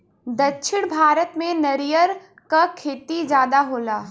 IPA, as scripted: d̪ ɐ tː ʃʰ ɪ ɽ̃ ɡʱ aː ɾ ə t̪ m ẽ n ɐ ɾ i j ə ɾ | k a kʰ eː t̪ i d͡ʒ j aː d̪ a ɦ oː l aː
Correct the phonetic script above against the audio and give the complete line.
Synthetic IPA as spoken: d̪ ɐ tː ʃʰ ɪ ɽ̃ bʱ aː ɾ ə t̪ m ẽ n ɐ ɾ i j ə ɾ | k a kʰ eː t̪ i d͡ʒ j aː d̪ a ɦ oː l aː